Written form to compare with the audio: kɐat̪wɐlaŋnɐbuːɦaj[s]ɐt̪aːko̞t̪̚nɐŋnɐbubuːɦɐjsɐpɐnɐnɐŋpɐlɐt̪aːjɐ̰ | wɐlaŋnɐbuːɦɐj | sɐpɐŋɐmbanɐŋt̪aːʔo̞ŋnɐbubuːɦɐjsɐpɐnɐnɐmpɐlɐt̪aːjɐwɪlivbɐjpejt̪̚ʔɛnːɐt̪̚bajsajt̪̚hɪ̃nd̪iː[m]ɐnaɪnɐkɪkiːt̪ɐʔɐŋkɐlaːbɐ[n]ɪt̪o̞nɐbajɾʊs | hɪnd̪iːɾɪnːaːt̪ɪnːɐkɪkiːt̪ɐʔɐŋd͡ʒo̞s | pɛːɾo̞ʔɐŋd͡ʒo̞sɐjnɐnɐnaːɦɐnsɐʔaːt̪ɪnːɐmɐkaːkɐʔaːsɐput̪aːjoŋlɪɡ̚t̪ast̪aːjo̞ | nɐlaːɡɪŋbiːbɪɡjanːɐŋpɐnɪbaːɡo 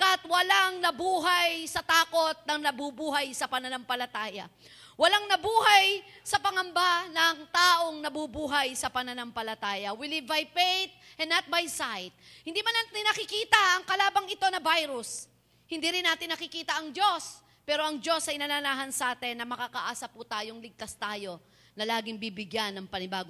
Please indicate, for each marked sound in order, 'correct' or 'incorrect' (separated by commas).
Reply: correct, correct, incorrect